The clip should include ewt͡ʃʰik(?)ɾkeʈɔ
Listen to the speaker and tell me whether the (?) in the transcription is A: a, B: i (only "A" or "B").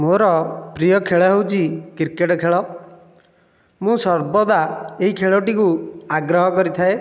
B